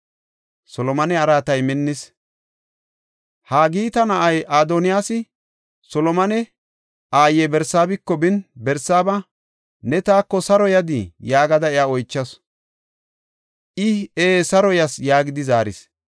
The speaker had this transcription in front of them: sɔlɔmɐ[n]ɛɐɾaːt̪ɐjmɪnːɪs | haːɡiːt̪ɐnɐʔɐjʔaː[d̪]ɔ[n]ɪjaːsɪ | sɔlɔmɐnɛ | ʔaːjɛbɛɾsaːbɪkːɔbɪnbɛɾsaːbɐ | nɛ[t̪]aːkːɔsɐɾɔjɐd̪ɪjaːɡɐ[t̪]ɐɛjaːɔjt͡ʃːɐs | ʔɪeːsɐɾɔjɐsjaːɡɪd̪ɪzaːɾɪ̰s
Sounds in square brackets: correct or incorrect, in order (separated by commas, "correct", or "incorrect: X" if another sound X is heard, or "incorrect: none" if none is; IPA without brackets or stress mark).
correct, correct, correct, correct, incorrect: d̪